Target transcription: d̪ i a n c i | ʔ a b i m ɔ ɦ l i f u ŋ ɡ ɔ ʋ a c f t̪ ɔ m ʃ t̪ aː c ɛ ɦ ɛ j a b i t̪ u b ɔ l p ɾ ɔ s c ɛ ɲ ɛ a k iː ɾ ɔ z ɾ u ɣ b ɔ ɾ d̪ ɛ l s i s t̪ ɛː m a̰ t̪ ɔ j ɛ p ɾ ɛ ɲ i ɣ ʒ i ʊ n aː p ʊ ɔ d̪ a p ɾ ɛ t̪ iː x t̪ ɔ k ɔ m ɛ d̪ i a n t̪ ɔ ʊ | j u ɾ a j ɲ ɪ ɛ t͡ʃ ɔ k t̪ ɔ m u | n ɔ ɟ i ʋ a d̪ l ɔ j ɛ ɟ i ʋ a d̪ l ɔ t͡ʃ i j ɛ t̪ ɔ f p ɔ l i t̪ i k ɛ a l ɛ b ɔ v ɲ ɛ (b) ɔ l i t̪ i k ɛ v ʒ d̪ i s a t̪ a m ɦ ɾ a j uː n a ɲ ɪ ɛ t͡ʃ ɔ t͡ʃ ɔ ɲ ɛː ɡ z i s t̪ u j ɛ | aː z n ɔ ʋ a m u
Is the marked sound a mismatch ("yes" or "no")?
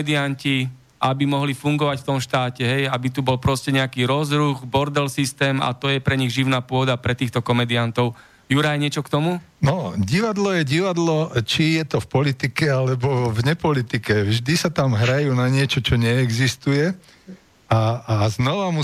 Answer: yes